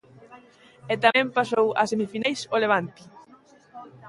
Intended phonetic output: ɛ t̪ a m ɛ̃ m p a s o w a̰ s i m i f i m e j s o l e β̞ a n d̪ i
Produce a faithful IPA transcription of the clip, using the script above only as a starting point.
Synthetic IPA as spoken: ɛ t̪ a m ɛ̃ m p a s o w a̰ s e m i f i n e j s o l e β̞ a n t̪ i